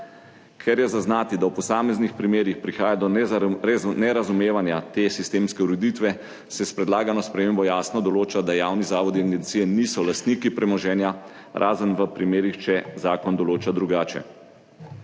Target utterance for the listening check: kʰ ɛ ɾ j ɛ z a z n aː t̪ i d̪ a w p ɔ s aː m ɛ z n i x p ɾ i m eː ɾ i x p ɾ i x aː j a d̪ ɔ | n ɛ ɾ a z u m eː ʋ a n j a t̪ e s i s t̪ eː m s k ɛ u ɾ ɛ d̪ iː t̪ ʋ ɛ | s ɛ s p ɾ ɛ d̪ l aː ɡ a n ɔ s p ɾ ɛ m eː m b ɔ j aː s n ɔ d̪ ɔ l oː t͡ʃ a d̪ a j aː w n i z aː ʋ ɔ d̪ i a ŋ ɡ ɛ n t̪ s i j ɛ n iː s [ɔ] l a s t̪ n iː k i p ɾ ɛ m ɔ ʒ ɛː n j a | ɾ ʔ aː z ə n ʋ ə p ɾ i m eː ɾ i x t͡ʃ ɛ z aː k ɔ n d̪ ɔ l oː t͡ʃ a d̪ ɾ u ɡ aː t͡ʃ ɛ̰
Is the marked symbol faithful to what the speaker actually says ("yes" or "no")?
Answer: yes